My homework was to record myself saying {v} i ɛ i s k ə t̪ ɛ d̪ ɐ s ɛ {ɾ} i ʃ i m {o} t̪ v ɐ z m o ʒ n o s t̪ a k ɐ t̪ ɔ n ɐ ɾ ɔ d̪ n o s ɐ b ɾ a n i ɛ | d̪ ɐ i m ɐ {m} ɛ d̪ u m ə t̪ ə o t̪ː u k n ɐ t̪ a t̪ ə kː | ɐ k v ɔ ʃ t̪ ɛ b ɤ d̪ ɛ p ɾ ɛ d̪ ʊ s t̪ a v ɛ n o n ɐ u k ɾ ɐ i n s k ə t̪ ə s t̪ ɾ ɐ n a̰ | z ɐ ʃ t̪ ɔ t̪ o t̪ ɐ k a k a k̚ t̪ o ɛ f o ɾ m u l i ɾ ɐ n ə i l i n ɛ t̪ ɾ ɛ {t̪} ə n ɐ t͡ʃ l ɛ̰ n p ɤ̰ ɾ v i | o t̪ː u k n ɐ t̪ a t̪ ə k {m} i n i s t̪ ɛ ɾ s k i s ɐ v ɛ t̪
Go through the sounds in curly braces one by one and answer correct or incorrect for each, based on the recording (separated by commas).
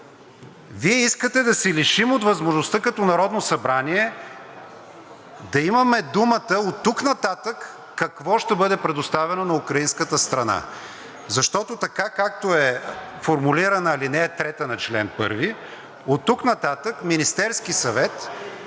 correct, incorrect, correct, correct, correct, correct